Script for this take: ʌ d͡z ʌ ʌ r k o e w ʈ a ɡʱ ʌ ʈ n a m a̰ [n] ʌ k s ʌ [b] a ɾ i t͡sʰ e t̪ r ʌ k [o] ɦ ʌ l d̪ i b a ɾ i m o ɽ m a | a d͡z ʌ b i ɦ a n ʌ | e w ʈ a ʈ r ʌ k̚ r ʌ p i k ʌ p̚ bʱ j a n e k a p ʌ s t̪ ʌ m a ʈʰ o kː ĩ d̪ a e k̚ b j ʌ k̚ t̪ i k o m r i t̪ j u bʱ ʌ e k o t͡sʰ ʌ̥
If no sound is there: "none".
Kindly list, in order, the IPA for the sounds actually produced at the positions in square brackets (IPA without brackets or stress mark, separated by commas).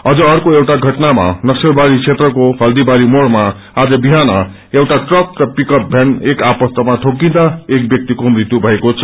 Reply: n, b, o